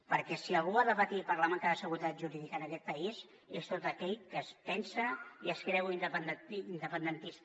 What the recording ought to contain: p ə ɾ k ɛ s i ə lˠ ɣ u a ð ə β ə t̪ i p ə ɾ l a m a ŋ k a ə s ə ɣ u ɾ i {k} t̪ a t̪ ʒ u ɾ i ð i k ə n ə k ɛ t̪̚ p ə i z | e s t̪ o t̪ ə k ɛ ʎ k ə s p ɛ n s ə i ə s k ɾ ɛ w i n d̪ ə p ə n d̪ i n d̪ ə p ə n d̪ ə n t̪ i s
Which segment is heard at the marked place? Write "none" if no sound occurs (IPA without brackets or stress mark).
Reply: none